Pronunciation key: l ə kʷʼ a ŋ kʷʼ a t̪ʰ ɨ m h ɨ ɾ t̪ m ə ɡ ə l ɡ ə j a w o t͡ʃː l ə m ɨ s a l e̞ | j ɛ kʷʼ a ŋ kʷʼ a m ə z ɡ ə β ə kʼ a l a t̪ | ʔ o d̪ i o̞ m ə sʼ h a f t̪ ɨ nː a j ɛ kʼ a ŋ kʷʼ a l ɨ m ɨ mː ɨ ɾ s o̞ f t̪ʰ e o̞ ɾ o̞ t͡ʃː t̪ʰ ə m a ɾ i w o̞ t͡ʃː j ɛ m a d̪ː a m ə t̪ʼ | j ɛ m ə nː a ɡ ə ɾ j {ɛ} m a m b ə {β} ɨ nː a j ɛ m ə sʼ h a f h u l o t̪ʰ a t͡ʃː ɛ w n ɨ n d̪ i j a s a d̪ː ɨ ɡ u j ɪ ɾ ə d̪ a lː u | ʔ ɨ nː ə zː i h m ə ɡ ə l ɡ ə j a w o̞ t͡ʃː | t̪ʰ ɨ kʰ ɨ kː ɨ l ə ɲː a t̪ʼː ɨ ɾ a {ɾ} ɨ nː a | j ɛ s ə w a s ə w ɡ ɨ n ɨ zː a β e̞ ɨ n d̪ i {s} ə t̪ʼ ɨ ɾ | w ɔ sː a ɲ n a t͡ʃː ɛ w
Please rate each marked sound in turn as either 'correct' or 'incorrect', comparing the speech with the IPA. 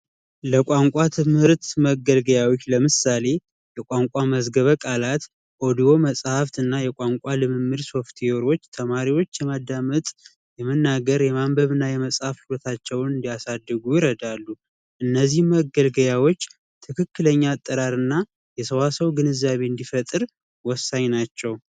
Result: correct, correct, correct, incorrect: f

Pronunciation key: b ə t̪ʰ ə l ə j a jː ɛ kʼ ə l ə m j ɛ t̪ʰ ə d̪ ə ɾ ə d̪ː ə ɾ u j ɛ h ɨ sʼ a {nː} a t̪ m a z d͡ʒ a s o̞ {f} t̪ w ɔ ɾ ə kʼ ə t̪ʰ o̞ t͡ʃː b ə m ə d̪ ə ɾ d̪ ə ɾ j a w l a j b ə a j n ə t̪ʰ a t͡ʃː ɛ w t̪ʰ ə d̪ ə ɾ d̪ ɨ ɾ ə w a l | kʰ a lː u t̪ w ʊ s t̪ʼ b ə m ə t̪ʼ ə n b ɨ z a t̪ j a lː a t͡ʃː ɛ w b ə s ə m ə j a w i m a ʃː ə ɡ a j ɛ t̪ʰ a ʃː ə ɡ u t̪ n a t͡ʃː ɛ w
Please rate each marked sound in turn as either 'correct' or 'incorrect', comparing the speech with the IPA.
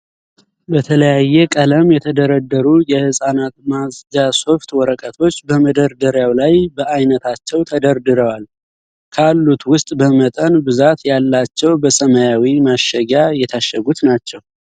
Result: incorrect: n, correct

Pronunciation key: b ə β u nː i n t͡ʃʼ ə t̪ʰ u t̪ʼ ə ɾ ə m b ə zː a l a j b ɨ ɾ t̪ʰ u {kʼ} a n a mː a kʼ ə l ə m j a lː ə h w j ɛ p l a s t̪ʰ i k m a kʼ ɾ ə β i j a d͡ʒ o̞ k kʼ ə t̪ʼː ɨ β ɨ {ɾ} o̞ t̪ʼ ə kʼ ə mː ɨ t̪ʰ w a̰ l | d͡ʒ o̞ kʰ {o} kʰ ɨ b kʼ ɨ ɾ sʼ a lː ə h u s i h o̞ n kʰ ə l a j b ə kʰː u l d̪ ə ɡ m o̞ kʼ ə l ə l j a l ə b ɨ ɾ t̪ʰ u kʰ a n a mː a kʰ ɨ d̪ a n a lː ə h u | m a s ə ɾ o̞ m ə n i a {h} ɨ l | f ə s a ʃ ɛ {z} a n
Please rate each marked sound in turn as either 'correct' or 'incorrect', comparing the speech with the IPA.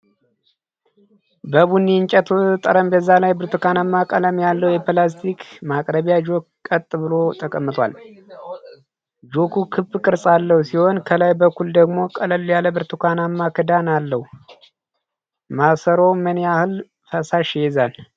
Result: incorrect: k, incorrect: l, incorrect: u, correct, correct

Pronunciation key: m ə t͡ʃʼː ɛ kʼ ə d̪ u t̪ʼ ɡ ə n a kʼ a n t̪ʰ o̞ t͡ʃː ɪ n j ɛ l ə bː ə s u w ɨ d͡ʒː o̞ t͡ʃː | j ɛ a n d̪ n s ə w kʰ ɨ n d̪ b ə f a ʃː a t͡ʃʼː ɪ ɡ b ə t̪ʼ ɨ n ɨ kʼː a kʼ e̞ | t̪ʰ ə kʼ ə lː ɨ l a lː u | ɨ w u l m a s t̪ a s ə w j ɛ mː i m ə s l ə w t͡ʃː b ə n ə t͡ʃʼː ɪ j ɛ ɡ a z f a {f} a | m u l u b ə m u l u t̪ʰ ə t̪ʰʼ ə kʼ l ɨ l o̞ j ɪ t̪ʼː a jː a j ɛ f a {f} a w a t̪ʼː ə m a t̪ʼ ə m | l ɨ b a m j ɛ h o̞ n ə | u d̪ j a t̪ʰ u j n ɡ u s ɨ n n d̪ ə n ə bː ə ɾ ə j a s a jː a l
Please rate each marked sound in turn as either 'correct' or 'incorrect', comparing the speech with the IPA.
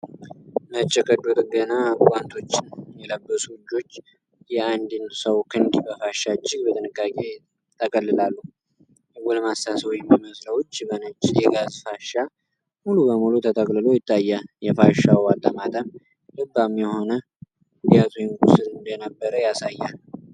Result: incorrect: ʃ, incorrect: ʃ

